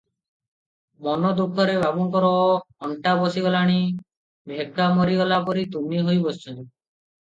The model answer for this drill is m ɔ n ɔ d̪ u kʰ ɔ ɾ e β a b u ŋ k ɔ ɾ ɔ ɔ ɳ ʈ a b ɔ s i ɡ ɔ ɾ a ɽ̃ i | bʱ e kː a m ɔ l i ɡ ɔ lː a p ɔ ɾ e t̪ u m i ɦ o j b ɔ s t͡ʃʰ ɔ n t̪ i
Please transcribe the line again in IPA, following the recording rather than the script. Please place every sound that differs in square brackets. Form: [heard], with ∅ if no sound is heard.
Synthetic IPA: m ɔ n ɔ d̪ u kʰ ɔ ɾ e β a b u ŋ k ɔ ɾ ɔ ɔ ɳ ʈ a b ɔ s i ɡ ɔ [l] a ɽ̃ i | bʱ e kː a m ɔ [ɾ] i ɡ ɔ [l] a p ɔ ɾ [i] t̪ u m i ɦ o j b ɔ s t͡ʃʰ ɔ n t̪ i